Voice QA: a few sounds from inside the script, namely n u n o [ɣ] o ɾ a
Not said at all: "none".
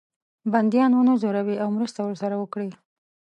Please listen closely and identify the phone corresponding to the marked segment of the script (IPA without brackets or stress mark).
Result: z